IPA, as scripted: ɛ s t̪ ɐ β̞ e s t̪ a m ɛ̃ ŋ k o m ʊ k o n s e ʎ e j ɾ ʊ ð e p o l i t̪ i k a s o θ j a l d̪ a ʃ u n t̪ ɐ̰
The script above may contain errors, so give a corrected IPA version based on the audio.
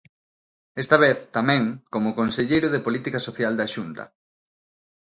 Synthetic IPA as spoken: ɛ s t̪ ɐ β̞ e θ t̪ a m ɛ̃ ŋ k o m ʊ k o n s e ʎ e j ɾ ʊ ð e p o l i t̪ i k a s o θ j a l d̪ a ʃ u n t̪ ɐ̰